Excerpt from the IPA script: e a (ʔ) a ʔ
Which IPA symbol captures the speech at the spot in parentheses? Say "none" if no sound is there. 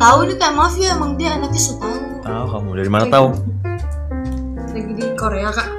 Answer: k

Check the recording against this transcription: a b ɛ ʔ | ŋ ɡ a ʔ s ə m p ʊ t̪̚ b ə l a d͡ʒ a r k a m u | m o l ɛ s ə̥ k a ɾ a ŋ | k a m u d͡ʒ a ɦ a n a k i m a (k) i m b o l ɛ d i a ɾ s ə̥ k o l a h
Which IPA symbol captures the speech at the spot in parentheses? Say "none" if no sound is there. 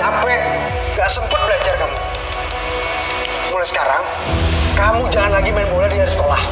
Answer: none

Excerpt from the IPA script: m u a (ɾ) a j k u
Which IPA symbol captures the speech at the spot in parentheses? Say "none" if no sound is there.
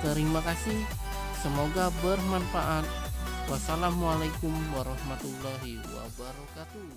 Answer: l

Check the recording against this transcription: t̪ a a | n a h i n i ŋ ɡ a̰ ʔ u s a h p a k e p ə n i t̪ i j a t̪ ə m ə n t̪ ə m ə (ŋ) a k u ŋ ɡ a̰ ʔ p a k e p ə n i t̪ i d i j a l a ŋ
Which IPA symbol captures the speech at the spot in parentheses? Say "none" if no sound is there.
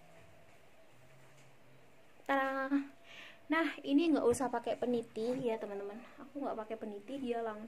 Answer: n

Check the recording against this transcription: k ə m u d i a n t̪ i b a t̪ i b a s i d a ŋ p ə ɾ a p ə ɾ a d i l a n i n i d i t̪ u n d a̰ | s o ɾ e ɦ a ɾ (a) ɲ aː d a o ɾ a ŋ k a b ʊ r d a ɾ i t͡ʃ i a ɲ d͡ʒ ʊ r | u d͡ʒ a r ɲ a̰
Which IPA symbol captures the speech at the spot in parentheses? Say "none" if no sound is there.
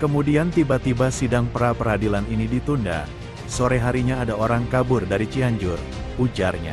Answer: i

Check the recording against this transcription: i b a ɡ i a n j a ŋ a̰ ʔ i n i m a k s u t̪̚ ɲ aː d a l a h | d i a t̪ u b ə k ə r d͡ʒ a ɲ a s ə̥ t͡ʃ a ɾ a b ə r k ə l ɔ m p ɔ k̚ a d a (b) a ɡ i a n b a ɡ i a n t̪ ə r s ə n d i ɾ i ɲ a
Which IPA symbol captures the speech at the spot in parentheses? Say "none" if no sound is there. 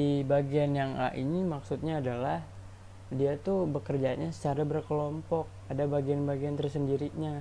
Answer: b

